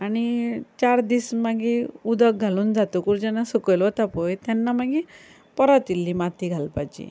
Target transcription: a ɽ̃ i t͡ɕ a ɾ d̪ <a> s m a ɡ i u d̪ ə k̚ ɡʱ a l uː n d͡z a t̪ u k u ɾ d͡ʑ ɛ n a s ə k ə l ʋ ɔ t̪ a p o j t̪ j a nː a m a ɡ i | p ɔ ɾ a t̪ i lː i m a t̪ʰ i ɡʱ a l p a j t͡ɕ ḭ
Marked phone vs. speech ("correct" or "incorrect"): incorrect